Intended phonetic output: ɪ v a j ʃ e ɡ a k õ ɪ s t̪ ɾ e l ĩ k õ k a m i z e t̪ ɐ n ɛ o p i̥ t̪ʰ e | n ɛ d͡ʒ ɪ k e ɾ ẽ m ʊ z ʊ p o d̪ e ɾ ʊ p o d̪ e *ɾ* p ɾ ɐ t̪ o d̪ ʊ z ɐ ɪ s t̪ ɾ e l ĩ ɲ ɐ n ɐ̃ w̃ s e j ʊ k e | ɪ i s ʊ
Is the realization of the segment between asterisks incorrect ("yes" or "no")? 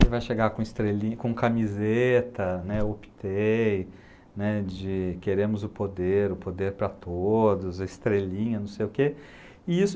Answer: no